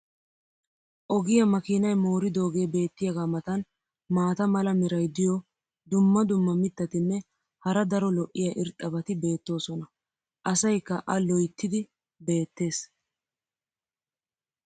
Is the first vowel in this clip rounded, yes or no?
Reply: yes